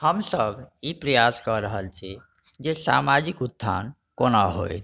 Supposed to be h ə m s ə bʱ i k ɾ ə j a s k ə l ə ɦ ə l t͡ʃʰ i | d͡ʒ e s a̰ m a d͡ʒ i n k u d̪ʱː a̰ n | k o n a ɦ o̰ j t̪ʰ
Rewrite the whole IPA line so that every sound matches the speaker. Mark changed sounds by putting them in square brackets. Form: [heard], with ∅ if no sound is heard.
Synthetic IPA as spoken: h ə m s ə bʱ i [p] ɾ ə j a s k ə [ɾ] ə ɦ ə l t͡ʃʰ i | d͡ʒ e s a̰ m a d͡ʒ i [∅] k u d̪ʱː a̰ n | k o n a ɦ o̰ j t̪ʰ